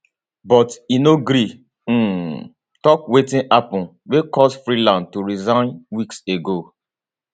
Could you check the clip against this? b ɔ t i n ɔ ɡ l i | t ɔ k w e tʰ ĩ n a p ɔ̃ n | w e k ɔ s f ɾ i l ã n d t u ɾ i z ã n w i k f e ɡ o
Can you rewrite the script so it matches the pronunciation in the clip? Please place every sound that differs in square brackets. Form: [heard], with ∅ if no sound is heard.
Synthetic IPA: b ɔ t i n [o] ɡ [ɾ] i | t ɔ k w e [t] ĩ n a p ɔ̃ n | w e k ɔ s f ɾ i l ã n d t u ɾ i z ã n w i k [s] e ɡ o

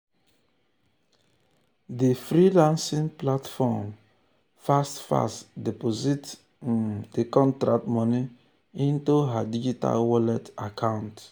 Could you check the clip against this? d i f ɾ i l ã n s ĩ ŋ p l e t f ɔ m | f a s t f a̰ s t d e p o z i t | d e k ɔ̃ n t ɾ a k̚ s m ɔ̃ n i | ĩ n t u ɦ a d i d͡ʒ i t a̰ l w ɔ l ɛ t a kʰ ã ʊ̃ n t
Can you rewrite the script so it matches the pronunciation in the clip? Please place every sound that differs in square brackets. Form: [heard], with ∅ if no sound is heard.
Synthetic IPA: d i f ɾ i l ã n s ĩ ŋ p l [a] t f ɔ m | f a s t f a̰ s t d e p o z i t | d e k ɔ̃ n t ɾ a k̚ [t] m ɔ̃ n i | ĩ n t u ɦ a d i d͡ʒ i t a̰ l w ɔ l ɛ t a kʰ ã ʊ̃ n t

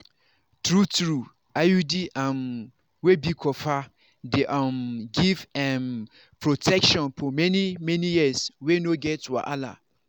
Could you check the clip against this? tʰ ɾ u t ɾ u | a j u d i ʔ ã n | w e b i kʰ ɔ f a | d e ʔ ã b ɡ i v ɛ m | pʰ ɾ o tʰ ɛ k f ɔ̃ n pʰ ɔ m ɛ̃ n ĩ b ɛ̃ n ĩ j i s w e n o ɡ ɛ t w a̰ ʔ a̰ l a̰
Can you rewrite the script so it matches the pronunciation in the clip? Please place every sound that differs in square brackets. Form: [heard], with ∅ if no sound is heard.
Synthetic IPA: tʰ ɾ u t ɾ u | a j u d i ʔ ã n | w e b i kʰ ɔ f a | d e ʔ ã [m] ɡ i v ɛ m | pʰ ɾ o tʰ ɛ k [ʃ] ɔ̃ n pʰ ɔ m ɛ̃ n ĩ [m] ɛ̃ n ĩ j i s w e n o ɡ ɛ t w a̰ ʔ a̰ l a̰

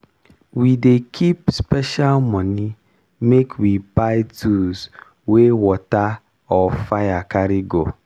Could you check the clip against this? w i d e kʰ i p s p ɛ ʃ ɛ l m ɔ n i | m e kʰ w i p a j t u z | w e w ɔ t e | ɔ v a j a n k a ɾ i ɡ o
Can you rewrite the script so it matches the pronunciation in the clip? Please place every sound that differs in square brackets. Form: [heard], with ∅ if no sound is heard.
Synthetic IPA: w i d e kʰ i p s p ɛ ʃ [a] l m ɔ n i | m e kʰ w i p a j t u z | w e w ɔ t [a] | ɔ [f] a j a [∅] k a ɾ i ɡ o

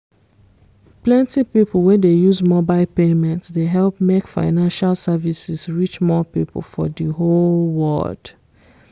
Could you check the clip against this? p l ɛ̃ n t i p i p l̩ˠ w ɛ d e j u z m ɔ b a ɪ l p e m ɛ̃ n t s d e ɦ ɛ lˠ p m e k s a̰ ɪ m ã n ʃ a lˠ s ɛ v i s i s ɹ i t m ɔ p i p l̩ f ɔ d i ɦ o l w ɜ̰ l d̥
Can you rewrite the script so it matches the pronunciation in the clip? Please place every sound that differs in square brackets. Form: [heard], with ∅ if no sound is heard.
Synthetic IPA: p l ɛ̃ n t i p i p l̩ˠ w ɛ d e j u z m ɔ b a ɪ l p e m ɛ̃ n t s d e ɦ ɛ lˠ p m e k [f] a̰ ɪ [n] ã n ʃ a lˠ s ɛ v i s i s ɹ i [t͡ʃ] m ɔ p i p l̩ f ɔ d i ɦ o l w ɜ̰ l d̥

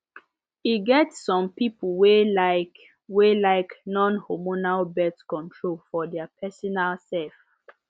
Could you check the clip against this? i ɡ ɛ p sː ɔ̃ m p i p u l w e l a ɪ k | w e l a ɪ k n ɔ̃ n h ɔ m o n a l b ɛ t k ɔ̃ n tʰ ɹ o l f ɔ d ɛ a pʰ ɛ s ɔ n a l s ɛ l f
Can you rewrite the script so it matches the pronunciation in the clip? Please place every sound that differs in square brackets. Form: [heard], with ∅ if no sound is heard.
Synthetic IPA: i ɡ ɛ [t] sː ɔ̃ m p i p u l w e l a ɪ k | w e l a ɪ k n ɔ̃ n h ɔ m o n a l b ɛ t k ɔ̃ n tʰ ɹ o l f ɔ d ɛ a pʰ ɛ s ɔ n a l s ɛ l f

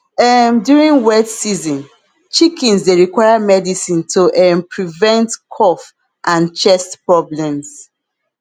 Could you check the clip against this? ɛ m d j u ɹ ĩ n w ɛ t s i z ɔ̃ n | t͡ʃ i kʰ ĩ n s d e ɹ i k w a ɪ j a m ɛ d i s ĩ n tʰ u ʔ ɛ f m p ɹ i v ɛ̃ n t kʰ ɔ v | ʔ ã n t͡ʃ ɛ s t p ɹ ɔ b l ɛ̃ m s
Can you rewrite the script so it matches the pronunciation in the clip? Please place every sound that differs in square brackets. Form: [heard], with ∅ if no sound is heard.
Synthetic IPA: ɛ m d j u ɹ ĩ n w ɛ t s i z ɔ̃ n | t͡ʃ i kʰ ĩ n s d e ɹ i k w a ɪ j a m ɛ d i s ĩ n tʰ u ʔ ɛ [∅] m p ɹ i v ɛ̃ n t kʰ ɔ [f] | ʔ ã n t͡ʃ ɛ s t p ɹ ɔ b l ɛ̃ m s

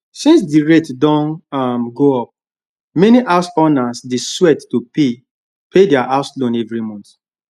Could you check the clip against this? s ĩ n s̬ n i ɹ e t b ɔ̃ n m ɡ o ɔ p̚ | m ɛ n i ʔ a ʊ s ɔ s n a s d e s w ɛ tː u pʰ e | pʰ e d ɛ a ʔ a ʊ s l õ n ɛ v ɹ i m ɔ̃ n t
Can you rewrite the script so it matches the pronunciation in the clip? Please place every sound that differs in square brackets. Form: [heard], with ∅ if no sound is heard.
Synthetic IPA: s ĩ n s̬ [d] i ɹ e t [d] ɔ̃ n m ɡ o ɔ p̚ | m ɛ n i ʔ a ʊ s ɔ [∅] n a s d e s w ɛ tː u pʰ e | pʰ e d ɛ a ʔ a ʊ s l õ n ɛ v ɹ i m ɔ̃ n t

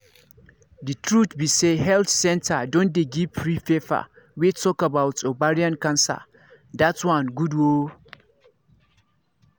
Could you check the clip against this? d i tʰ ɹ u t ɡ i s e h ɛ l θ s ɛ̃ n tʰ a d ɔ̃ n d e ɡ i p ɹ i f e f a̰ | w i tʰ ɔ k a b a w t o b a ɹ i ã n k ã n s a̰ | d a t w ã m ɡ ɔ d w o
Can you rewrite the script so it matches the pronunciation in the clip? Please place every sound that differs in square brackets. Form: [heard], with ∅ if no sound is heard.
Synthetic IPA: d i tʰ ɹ u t [b] i s e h ɛ l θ s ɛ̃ n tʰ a d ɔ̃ n d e ɡ i p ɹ i f e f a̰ | w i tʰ ɔ k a b a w t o b a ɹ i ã n k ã n s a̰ | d a t w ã [n] ɡ [u] d w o

